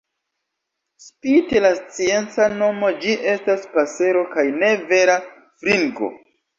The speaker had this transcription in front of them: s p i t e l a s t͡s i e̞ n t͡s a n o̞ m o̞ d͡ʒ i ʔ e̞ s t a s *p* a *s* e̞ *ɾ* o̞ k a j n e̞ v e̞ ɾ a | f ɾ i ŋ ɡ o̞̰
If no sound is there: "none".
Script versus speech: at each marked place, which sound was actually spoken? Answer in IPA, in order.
p, s, ɾ

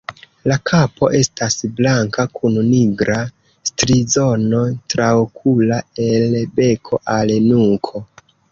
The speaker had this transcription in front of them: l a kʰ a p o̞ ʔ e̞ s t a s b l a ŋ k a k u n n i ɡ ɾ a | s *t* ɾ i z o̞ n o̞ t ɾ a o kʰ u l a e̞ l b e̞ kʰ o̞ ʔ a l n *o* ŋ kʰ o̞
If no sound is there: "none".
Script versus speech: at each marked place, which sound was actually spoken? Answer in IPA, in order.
t, u

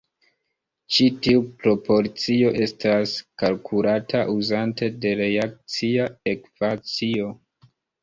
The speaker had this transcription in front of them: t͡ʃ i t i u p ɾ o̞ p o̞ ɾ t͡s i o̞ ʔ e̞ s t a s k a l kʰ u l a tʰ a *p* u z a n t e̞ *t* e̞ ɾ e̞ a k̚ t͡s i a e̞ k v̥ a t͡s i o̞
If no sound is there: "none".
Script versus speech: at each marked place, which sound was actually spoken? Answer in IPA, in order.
ʔ, d

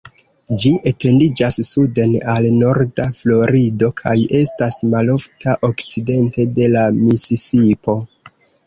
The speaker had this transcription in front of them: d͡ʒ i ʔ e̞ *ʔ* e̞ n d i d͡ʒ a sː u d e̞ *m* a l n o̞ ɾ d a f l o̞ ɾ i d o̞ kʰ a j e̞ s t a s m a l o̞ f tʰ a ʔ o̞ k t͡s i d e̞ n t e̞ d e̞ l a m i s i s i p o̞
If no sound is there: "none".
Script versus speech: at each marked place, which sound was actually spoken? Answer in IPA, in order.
t, n

